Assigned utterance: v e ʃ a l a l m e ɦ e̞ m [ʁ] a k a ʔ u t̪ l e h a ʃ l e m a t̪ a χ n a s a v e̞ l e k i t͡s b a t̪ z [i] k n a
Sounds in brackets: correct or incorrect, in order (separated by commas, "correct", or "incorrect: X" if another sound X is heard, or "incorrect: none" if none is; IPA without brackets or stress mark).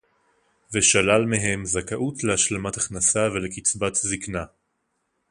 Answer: incorrect: z, correct